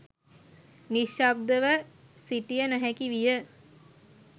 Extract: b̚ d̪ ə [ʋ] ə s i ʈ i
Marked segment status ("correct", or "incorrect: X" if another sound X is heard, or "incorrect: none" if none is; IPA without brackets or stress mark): correct